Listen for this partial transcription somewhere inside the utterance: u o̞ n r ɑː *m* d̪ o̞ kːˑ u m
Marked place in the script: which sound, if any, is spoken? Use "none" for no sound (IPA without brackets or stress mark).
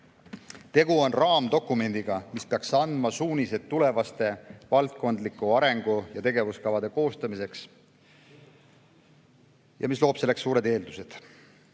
m